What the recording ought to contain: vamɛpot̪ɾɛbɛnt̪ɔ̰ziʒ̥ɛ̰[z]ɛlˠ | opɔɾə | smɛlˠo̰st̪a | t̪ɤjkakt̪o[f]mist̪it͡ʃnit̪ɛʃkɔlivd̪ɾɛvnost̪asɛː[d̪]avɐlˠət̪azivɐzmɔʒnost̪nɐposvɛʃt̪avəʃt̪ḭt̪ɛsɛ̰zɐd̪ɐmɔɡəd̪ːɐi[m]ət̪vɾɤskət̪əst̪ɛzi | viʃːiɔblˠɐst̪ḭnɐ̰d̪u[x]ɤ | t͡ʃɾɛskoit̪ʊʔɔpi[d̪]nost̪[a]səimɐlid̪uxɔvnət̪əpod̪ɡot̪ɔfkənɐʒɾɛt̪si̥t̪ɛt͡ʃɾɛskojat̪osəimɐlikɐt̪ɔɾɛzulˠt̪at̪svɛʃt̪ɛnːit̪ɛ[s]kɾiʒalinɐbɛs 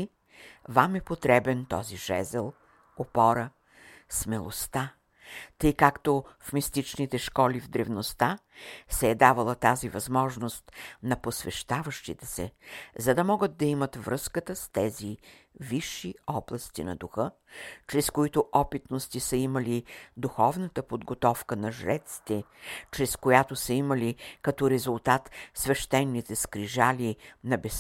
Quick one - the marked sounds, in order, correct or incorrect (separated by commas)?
correct, correct, correct, correct, correct, incorrect, incorrect, correct